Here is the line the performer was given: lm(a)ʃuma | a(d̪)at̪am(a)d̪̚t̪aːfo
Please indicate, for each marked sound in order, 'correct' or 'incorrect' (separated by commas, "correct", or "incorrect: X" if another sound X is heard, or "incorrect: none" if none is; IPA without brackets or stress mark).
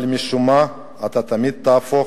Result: incorrect: i, incorrect: t̪, incorrect: i